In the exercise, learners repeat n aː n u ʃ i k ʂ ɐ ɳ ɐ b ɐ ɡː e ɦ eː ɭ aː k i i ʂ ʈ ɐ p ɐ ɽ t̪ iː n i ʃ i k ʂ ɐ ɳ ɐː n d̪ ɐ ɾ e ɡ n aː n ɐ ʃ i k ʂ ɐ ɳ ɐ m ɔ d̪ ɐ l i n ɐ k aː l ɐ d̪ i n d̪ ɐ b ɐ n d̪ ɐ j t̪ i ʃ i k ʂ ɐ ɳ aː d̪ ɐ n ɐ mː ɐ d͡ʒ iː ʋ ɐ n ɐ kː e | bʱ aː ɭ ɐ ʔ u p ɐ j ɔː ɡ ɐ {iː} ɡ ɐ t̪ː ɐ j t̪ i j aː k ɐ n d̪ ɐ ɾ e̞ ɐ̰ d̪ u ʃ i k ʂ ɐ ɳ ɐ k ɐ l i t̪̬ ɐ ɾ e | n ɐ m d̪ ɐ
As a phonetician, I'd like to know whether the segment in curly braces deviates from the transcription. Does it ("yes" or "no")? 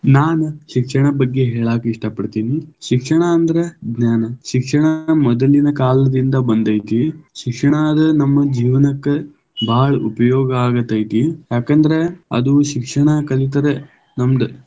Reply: yes